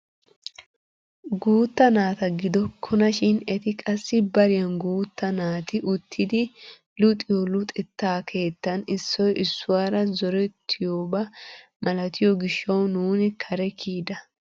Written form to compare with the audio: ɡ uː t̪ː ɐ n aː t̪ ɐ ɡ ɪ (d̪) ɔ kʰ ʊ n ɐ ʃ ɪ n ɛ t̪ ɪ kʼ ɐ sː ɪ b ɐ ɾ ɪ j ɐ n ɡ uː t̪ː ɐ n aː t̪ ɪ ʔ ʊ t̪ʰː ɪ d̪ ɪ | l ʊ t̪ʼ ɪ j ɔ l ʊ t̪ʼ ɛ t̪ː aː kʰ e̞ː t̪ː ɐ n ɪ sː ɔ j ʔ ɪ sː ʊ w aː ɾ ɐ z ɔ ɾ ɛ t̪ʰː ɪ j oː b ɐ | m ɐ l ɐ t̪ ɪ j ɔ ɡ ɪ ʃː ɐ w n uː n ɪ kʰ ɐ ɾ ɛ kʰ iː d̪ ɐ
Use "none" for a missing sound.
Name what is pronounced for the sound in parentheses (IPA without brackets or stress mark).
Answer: d̪